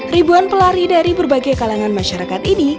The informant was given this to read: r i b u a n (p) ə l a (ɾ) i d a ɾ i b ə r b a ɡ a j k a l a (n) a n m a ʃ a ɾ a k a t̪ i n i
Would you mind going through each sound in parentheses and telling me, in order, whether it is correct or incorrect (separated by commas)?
correct, correct, incorrect